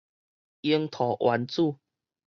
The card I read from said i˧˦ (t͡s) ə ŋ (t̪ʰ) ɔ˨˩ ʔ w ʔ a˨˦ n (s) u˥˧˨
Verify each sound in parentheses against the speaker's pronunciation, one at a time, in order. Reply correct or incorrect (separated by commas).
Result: incorrect, correct, incorrect